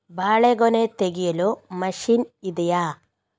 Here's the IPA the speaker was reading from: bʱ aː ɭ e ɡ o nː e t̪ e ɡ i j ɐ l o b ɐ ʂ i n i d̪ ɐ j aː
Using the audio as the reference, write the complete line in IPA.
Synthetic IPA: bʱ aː ɭ e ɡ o n e t̪ e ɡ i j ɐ l o m ɐ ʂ i n i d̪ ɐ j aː